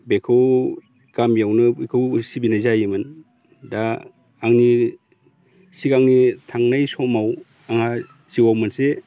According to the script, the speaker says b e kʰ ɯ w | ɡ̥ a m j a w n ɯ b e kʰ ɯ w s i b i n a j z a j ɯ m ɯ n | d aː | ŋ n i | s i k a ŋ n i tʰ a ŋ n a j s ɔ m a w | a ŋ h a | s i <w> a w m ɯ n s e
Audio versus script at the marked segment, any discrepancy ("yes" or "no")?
no